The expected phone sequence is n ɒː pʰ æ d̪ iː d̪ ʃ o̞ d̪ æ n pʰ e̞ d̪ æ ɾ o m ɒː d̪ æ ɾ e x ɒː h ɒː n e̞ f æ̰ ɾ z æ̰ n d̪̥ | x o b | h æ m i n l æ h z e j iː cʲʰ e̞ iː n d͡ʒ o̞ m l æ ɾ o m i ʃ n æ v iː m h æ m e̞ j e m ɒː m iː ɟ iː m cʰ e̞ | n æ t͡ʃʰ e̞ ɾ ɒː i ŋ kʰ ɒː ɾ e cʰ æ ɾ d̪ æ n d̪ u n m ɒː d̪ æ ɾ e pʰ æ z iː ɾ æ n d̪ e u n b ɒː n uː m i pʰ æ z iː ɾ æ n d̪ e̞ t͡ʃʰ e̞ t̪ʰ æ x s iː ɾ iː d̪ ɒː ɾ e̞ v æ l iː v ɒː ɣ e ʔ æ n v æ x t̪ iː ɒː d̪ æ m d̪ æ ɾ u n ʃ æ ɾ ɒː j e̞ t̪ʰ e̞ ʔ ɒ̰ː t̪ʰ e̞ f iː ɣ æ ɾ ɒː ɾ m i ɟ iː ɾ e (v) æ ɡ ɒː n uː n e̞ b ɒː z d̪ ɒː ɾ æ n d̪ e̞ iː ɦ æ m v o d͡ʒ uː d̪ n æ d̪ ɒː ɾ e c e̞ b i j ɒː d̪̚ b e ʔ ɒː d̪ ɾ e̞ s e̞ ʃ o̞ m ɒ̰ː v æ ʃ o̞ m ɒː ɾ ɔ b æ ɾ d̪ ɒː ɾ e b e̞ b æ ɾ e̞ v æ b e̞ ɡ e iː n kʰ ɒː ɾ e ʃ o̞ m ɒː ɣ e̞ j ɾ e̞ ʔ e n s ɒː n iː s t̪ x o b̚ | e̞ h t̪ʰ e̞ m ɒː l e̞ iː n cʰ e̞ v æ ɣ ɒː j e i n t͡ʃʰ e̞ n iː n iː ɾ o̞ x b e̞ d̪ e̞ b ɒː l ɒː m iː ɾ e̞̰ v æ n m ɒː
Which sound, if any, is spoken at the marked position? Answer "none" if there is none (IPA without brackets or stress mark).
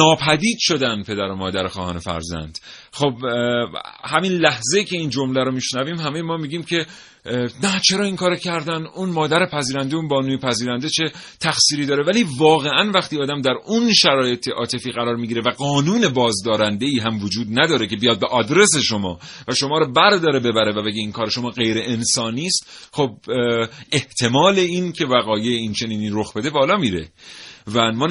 v